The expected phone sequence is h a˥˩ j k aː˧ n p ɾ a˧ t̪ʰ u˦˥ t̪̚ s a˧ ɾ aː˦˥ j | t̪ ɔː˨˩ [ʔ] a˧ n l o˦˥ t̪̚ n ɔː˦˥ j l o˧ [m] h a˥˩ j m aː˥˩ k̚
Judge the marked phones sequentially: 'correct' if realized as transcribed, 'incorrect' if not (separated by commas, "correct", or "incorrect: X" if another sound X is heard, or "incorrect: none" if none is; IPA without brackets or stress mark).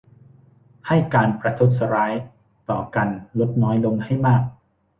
incorrect: k, incorrect: ŋ